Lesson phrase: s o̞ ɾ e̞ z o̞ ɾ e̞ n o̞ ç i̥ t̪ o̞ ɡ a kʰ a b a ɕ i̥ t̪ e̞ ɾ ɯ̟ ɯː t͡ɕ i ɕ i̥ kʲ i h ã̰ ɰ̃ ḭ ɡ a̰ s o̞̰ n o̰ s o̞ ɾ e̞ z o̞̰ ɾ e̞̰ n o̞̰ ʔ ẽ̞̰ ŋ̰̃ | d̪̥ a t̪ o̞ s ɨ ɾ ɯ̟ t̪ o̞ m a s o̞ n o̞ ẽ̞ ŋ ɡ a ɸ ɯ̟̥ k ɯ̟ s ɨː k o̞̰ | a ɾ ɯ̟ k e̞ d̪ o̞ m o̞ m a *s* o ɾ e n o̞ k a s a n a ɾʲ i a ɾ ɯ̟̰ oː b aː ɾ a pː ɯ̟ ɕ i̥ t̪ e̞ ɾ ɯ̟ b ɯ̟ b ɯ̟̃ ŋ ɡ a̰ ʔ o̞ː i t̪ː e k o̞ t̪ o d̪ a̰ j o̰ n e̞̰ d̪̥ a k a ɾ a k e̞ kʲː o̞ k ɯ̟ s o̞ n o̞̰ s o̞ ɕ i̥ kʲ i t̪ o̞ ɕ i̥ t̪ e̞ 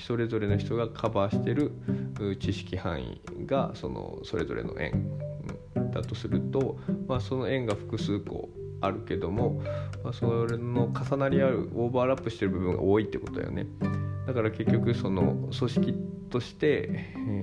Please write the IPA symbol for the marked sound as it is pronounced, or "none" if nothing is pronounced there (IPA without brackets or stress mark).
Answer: s